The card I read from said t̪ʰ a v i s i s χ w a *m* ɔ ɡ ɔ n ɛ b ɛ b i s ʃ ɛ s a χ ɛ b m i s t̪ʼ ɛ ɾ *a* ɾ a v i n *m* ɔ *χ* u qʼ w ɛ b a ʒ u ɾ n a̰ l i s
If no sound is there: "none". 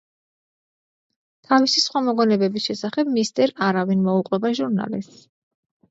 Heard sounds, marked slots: m, a, m, none

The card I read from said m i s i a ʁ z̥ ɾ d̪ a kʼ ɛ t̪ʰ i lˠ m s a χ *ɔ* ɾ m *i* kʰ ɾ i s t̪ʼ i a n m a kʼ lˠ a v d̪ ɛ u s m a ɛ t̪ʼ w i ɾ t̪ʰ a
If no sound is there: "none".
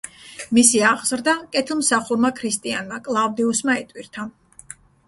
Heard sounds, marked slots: u, a

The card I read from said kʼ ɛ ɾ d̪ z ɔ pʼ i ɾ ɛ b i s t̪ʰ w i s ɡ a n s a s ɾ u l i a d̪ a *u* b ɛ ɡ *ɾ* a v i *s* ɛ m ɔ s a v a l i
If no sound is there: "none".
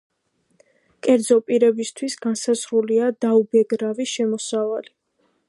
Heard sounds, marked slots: u, ɾ, ʃ

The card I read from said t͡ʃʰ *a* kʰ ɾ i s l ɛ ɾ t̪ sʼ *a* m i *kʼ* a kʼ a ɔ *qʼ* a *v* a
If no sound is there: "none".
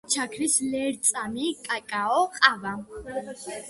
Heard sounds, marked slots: a, a, kʼ, qʼ, v

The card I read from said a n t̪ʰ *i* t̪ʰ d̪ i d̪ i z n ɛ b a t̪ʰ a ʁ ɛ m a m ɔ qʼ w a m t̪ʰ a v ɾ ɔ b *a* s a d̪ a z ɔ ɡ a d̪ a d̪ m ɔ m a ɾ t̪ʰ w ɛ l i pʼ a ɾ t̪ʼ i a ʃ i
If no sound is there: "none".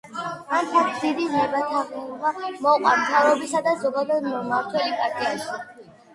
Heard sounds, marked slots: a, i

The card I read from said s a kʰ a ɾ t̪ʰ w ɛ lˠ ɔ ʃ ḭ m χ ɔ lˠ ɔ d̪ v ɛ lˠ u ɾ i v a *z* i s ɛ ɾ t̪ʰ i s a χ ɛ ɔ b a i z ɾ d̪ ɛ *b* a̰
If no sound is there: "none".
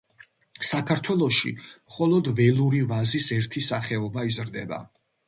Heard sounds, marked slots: z, b

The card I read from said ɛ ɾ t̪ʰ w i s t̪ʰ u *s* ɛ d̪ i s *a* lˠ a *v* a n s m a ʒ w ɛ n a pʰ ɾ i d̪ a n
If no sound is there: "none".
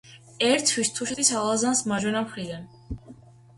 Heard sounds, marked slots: ʃ, a, z

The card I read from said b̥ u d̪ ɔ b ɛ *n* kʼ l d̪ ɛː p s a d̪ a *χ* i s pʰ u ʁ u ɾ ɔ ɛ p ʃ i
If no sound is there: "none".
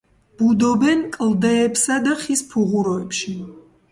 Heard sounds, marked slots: n, χ

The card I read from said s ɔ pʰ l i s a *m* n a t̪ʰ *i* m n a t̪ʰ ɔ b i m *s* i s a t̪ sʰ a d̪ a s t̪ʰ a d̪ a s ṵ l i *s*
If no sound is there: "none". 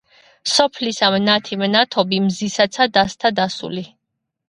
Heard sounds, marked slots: m, i, z, none

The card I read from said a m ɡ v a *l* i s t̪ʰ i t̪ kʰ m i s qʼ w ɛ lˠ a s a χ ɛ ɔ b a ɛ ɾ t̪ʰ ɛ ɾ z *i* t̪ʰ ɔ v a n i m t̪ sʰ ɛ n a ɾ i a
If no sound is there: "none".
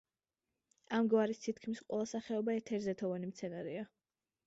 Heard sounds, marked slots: ɾ, ɛ

